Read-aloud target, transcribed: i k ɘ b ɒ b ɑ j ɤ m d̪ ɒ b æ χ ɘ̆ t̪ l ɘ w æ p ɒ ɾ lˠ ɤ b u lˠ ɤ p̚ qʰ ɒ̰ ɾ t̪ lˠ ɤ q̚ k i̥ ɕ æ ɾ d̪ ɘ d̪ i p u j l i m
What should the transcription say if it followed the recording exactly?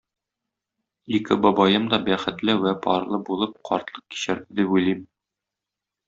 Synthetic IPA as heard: i k ɘ b ɒ b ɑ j ɤ m d̪ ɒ b æ χ ɘ̆ t̪ l ɘ w æ p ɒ ɾ lˠ ɤ b u lˠ ɤ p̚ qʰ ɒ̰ ɾ t̪ lˠ ɤ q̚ k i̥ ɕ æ ɾ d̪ ɘ d̪ i p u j l i m